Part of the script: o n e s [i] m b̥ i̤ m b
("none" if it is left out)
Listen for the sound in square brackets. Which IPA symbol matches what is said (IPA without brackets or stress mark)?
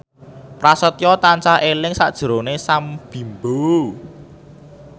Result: a